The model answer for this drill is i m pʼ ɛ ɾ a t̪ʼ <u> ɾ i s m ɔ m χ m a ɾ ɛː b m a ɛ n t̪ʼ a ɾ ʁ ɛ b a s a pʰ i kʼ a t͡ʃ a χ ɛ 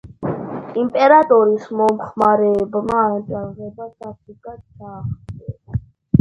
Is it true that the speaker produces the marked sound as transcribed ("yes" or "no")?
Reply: no